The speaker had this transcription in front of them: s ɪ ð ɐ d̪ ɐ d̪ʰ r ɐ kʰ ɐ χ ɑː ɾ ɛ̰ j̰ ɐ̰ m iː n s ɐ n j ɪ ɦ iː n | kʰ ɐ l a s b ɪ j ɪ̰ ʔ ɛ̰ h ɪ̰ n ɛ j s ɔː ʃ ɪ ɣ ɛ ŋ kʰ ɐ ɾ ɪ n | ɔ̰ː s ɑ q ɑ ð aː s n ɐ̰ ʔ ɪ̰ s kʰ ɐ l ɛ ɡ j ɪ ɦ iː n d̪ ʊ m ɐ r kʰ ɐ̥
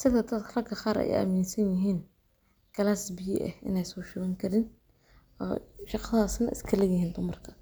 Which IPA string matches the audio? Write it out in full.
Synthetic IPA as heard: s ɪ ð ɐ d̪ ɐ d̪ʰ r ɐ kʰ ɐ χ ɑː ɾ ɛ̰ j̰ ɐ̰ m iː n s ɐ n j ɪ ɦ iː n | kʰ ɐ l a s b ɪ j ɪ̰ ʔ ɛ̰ h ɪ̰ n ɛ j s ɔː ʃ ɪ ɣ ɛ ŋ kʰ ɐ ɾ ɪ n | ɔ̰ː ʃ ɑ q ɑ ð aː s n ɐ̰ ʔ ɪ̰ s kʰ ɐ l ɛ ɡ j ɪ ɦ iː n d̪ ʊ m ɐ r kʰ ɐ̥

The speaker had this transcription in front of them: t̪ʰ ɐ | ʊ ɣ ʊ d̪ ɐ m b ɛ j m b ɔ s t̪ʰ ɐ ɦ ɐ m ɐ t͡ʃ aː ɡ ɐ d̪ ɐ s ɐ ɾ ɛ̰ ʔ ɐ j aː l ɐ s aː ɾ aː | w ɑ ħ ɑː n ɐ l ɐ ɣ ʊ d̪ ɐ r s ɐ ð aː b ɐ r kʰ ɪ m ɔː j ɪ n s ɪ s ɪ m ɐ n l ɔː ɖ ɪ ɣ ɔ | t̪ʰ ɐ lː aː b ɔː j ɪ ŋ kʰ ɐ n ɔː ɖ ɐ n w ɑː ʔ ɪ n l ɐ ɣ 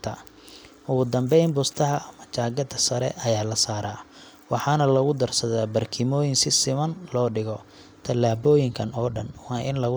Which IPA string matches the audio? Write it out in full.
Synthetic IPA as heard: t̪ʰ ɐ | ʊ ɣ ʊ d̪ ɐ m b ɛ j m b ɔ s t̪ʰ ɐ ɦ ɐ m ɐ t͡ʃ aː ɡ ɐ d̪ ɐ s ɐ ɾ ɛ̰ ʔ ɐ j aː l ɐ s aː ɾ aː | w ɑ ħ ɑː n ɐ l ɐ ɣ ʊ d̪ ɐ r s ɐ ð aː b ɐ r kʰ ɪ m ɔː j ɪ n s ɪ s ɪ m ɐ n l ɔː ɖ ɪ ɣ ɔ | t̪ʰ ɐ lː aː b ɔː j ɪ ŋ kʰ ɐ n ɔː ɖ ɐ n w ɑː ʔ ɪ n l ɐ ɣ

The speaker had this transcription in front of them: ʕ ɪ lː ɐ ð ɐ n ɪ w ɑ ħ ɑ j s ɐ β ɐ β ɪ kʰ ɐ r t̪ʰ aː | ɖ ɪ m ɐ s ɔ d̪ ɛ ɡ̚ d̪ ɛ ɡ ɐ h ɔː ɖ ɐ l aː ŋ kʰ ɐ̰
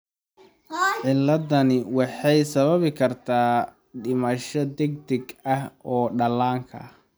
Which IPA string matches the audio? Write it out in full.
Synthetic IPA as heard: ʕ ɪ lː ɐ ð ɐ n ɪ w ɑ ħ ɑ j s ɐ β ɐ β ɪ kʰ ɐ r t̪ʰ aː | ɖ ɪ m ɐ ʃ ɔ d̪ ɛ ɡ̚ d̪ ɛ ɡ ɐ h ɔː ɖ ɐ l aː ŋ kʰ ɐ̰

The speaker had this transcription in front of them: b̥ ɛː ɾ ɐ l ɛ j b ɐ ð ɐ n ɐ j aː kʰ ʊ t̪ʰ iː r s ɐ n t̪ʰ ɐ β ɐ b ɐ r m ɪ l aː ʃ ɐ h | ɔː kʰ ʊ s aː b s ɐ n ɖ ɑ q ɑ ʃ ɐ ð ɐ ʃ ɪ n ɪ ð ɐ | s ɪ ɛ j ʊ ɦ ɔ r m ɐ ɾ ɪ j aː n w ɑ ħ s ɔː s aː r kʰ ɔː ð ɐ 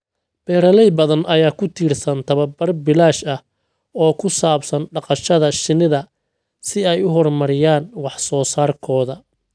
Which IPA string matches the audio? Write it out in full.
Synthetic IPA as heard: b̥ ɛː ɾ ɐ l ɛ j b ɐ ð ɐ n ɐ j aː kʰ ʊ t̪ʰ iː r s ɐ n t̪ʰ ɐ β ɐ b ɐ r b ɪ l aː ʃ ɐ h | ɔː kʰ ʊ s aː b s ɐ n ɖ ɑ q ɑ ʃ ɐ ð ɐ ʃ ɪ n ɪ ð ɐ | s ɪ ɛ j ʊ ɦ ɔ r m ɐ ɾ ɪ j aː n w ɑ ħ s ɔː s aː r kʰ ɔː ð ɐ

